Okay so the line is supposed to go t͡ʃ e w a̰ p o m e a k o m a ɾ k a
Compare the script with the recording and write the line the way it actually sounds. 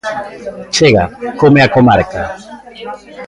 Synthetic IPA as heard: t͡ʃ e ɣ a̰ k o m e a k o m a ɾ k a